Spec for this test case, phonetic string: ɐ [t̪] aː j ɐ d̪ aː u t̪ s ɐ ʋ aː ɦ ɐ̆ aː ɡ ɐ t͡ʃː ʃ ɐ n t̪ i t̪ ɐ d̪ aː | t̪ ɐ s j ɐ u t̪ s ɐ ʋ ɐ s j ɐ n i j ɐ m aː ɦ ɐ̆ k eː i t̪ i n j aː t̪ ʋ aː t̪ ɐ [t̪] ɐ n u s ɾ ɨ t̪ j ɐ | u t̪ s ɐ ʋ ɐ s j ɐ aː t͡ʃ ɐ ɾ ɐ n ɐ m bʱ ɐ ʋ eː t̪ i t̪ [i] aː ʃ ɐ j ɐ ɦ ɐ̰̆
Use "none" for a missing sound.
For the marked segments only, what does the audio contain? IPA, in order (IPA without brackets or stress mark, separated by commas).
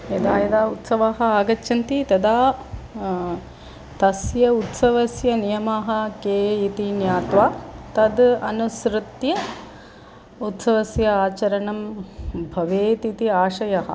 d̪, d̪, i